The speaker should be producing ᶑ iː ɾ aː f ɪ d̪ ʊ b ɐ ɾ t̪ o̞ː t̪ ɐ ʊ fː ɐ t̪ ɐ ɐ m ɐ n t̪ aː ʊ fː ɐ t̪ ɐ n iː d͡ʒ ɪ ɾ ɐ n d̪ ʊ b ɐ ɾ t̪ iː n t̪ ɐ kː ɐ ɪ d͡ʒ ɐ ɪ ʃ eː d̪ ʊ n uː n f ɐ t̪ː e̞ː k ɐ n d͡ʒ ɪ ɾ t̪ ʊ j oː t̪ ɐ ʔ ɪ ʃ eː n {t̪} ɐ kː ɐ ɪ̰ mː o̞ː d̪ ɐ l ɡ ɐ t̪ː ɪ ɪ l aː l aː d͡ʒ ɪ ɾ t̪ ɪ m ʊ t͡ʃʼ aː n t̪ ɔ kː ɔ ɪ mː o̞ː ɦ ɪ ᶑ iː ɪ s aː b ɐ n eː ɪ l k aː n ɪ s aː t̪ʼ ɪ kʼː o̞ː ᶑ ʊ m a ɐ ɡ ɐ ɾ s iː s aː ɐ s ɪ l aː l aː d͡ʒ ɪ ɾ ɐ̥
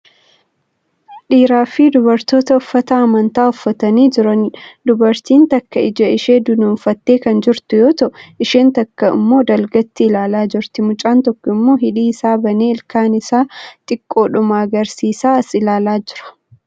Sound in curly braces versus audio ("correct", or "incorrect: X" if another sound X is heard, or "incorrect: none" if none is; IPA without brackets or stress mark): correct